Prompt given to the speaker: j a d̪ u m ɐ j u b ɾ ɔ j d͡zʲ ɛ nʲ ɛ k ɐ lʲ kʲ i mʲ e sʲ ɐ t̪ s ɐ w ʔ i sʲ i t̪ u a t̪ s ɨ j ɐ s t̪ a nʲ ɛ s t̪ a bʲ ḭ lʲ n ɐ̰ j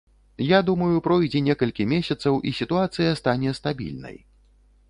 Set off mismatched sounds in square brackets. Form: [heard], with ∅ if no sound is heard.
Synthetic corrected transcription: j a d̪ u m ɐ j u [p] ɾ ɔ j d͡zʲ ɛ nʲ ɛ k ɐ lʲ kʲ i mʲ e sʲ ɐ t̪ s ɐ w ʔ i sʲ i t̪ u a t̪ s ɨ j ɐ s t̪ a nʲ ɛ s t̪ a bʲ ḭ lʲ n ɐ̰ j